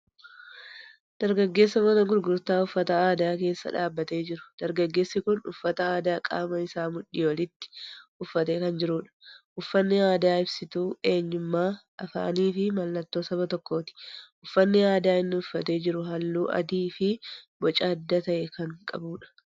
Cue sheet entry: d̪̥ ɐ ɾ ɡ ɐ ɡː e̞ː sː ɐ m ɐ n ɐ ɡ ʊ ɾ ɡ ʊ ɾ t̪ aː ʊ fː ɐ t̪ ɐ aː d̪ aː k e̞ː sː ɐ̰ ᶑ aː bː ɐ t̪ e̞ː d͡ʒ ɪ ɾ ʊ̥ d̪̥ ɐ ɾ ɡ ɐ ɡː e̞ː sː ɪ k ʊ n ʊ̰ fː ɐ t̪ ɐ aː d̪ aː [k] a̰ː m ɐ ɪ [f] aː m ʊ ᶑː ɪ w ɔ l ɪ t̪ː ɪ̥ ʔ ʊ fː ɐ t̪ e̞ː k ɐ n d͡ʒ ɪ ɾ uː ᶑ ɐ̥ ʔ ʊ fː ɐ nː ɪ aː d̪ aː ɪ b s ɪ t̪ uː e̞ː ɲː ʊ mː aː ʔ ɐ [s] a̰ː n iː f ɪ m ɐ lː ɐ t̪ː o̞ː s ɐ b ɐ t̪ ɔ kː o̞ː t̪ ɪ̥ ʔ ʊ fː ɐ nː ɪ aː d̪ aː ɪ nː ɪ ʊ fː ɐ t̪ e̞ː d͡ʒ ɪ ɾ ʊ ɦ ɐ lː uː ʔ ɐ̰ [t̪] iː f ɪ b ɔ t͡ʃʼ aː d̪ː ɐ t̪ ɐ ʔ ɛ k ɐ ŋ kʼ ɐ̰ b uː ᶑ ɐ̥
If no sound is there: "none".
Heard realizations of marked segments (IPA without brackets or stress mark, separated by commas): kʼ, s, f, d̪